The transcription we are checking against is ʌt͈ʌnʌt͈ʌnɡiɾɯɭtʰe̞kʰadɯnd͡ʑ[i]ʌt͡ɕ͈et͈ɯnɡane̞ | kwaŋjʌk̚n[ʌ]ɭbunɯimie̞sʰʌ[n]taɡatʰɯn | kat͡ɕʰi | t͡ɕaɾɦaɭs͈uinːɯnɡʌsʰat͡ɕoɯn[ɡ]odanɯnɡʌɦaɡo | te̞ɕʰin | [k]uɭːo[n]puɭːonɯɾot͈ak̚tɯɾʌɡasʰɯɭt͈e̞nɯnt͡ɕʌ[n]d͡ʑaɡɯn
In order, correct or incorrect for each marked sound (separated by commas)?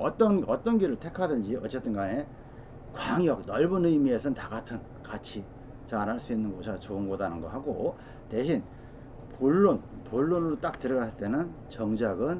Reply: correct, correct, correct, correct, incorrect, correct, incorrect